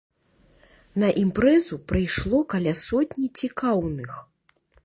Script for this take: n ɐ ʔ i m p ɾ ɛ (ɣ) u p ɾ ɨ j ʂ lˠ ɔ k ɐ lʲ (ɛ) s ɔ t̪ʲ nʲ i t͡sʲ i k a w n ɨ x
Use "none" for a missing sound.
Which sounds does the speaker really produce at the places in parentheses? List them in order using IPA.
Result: z, a

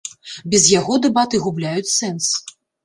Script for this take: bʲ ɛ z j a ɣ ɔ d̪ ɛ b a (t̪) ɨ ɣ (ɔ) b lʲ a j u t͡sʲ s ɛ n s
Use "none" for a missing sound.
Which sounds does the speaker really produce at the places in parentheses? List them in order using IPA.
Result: t̪, u

